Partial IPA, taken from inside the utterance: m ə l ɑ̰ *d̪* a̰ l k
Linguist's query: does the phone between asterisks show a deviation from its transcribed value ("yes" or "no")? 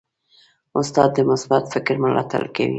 yes